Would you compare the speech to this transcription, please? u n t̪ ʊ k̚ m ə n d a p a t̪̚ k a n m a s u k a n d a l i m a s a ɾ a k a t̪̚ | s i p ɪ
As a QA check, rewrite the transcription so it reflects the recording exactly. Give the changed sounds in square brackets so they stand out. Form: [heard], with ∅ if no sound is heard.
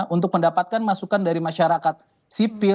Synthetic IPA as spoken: u n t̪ ʊ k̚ m ə n d a p a t̪̚ k a n m a s u k a n d a [ɾ] i m a [ʃ] a ɾ a k a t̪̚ | s i p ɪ